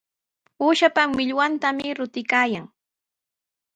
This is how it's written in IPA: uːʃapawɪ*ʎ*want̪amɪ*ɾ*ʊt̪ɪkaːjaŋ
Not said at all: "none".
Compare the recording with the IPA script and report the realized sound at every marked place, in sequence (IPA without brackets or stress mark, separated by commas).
ʎ, ɾ